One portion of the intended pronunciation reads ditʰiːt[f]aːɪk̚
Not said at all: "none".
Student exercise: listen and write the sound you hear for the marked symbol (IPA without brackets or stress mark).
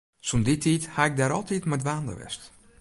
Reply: h